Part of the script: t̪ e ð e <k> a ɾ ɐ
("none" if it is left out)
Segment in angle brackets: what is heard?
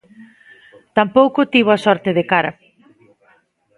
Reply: k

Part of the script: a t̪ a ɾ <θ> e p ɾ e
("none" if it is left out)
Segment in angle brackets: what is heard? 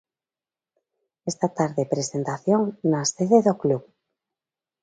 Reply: ð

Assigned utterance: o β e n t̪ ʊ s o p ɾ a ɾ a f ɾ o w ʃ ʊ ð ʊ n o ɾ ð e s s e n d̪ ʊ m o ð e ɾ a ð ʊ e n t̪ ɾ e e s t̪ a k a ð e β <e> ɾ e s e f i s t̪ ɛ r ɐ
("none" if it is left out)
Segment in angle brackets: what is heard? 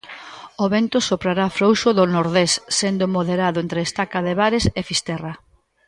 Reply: a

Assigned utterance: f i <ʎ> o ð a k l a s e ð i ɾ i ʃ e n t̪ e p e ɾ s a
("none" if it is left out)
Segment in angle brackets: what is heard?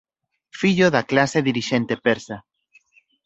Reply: ʎ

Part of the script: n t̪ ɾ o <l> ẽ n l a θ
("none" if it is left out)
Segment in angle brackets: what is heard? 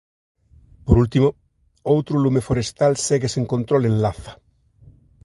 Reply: l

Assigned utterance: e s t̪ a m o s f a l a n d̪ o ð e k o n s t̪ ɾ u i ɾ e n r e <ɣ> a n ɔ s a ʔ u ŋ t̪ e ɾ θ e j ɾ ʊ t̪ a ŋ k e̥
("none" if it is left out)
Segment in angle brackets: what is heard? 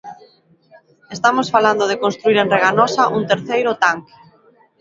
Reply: ɣ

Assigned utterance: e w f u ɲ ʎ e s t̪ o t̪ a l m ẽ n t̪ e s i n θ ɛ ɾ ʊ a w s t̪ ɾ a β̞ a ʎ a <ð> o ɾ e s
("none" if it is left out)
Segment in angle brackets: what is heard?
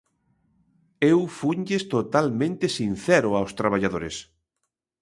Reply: ð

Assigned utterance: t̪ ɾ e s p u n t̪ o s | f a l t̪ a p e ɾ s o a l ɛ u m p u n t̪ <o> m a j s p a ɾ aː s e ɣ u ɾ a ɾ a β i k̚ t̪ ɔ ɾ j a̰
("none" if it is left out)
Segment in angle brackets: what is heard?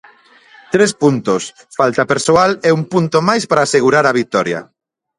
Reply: o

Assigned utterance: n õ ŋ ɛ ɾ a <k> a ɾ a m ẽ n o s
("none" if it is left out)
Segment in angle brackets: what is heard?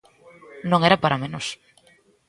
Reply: p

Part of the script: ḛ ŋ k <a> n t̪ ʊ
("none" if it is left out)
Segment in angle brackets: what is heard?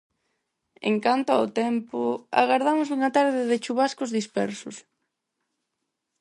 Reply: a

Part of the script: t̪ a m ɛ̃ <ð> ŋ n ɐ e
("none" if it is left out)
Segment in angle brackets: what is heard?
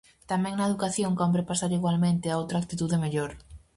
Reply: none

